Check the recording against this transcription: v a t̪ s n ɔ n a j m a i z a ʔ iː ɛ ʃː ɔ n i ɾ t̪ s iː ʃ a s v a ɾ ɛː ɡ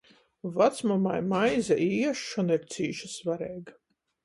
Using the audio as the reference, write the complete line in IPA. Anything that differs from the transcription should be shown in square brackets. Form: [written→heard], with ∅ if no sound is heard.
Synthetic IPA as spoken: v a t̪ s [n→m] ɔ [n→m] a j m a [i→j] z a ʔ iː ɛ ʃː ɔ n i ɾ t̪ s iː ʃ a s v a ɾ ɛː ɡ

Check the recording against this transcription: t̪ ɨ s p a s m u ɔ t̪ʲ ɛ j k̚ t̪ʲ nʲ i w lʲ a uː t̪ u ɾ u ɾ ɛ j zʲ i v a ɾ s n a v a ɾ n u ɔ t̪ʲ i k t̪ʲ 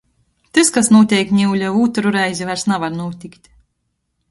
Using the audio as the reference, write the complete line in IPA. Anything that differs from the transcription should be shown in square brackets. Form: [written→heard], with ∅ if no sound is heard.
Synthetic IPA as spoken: t̪ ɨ s [p→k] a s [m→n] u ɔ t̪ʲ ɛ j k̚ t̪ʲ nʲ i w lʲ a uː t̪ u ɾ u ɾ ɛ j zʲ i v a ɾ s n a v a ɾ n u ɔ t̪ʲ i k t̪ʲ

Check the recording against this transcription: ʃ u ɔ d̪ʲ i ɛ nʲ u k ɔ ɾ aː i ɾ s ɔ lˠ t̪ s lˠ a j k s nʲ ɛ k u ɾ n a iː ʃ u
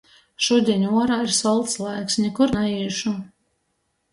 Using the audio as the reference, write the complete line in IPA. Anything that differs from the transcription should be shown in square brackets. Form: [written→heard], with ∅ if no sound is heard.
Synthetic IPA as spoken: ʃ u ɔ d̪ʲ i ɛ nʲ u [k→∅] ɔ ɾ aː i ɾ s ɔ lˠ t̪ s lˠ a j k s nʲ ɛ k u ɾ n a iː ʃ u

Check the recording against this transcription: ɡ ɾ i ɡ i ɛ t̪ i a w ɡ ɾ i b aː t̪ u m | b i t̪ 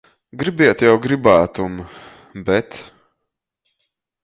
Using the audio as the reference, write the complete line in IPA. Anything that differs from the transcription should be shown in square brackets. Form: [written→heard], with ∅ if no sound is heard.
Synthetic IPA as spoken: ɡ ɾ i [ɡ→b] i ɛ t̪ [i→j] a w ɡ ɾ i b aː t̪ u m | b [i→ɛ] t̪

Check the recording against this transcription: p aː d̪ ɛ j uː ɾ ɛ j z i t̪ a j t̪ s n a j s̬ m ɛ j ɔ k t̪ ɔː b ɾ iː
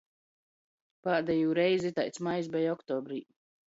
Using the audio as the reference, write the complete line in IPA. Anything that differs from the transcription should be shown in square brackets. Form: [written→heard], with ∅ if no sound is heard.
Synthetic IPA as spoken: p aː d̪ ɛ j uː ɾ ɛ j z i t̪ a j t̪ s [n→m] a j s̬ [m→b] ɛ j ɔ k t̪ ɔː b ɾ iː

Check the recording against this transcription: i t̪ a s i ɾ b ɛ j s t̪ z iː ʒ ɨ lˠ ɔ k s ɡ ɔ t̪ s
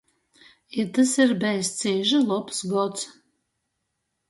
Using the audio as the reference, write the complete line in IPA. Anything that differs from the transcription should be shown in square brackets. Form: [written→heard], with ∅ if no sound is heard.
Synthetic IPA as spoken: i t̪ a s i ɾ b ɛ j s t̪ [z→s] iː ʒ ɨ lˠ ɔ [k→p] s ɡ ɔ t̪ s

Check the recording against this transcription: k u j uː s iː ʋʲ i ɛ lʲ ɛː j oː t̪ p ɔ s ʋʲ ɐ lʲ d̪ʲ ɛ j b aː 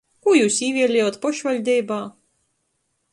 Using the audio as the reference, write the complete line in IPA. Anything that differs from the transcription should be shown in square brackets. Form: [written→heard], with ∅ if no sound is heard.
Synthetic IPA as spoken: k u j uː s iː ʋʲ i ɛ lʲ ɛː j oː t̪ p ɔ [s→ʃ] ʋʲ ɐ lʲ d̪ʲ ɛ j b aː

